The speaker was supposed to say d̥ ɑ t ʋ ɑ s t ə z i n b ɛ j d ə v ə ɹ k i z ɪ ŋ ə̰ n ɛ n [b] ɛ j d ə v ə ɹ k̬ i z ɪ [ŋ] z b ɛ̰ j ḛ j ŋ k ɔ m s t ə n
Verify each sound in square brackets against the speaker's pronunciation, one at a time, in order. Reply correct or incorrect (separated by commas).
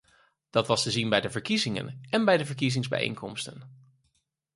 correct, correct